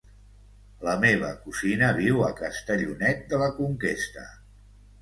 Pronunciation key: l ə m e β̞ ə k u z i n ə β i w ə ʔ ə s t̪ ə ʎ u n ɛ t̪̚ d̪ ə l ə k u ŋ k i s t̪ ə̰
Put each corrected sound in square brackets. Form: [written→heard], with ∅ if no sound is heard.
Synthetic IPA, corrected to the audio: l ə m e β̞ ə k u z i n ə β i w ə [ʔ→k] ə s t̪ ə ʎ u n ɛ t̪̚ d̪ ə l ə k u ŋ k [i→e] s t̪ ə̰